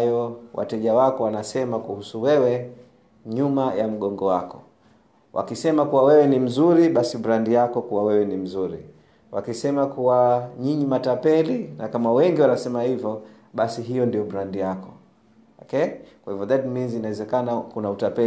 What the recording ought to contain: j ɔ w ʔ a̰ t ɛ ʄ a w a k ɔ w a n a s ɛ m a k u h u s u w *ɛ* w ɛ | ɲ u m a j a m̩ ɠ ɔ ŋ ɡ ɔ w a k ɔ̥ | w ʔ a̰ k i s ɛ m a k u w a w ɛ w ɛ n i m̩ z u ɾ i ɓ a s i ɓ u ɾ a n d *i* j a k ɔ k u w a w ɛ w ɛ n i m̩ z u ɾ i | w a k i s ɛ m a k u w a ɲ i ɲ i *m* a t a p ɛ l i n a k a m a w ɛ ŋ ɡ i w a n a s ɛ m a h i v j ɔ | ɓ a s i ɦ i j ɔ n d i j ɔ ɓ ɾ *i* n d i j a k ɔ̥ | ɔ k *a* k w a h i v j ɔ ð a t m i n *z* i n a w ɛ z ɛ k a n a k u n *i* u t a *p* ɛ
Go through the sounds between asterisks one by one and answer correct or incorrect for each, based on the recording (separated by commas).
correct, correct, correct, incorrect, incorrect, correct, incorrect, correct